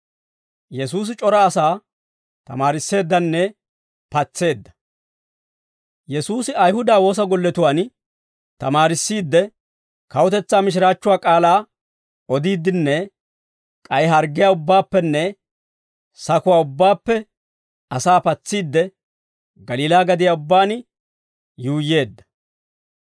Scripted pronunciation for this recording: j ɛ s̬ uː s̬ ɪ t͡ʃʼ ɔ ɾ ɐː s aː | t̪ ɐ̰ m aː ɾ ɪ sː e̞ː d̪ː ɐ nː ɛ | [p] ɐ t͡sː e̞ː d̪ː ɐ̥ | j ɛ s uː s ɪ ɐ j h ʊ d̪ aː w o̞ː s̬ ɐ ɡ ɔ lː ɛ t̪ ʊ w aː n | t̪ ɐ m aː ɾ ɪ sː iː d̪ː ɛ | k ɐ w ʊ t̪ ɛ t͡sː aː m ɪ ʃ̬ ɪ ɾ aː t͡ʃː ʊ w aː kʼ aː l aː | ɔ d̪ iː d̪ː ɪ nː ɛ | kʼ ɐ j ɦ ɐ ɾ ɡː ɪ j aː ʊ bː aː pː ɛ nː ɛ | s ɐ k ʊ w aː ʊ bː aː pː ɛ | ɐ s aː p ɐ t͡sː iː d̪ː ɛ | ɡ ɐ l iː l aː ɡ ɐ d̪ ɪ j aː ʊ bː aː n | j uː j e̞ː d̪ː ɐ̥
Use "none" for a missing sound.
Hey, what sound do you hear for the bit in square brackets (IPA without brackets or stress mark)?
p